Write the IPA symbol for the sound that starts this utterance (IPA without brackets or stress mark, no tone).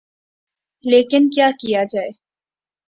l